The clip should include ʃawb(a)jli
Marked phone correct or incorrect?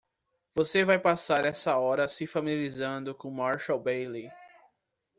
incorrect